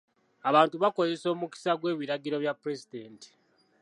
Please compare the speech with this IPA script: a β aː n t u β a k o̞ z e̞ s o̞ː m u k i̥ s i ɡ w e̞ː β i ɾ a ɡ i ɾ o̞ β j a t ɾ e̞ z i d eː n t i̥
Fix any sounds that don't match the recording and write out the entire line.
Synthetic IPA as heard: a β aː n t u β a k o̞ z e̞ s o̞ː m u k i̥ s a ɡ w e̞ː β i ɾ a ɡ i ɾ o̞ β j a p ɾ e̞ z i d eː n t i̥